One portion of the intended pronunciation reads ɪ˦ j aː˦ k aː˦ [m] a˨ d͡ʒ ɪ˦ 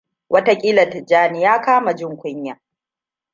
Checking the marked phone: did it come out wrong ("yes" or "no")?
no